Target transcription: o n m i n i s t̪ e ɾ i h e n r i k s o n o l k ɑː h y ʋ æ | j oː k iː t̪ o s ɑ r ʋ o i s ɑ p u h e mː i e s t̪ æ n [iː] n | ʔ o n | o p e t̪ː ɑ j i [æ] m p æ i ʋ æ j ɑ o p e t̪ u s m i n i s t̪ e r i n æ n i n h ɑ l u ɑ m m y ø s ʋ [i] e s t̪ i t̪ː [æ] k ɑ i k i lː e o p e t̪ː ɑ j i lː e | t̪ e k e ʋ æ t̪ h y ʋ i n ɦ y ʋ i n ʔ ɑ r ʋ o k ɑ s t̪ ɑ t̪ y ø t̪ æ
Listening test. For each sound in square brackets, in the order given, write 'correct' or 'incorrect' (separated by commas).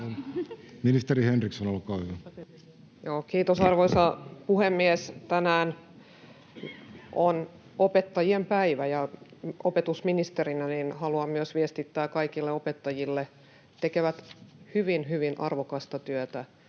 incorrect, incorrect, correct, incorrect